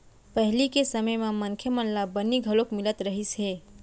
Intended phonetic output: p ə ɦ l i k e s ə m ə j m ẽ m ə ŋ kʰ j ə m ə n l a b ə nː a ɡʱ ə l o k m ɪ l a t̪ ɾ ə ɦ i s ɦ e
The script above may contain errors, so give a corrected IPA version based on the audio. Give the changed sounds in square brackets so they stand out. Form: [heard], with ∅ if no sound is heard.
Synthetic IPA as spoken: p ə ɦ l i k e s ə m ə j m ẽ m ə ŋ kʰ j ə m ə n l a b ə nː [i] ɡʱ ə l o k m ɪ l [ə] t̪ ɾ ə ɦ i s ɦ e